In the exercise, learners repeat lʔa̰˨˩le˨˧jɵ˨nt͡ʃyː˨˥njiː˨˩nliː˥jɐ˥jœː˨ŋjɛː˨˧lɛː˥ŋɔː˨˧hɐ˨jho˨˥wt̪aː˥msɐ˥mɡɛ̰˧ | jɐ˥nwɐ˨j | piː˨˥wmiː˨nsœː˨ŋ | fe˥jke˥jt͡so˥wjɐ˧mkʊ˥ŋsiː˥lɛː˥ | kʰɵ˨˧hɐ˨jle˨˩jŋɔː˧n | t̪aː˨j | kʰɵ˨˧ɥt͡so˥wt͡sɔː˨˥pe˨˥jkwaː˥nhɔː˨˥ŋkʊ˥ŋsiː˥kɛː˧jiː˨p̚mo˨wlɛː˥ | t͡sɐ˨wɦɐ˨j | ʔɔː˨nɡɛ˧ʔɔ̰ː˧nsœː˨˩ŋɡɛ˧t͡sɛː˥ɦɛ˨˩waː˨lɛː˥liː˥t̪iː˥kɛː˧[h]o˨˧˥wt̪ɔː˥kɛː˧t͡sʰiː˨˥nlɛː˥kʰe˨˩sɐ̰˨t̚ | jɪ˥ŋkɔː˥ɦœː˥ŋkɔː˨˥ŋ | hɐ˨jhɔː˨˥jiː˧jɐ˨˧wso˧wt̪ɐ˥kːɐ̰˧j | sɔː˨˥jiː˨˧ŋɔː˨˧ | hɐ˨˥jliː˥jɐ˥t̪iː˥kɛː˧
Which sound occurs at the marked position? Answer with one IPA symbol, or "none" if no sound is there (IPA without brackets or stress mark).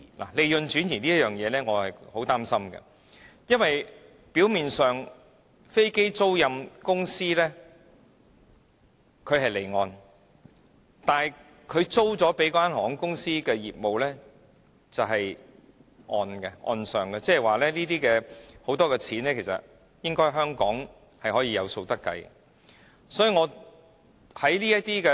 h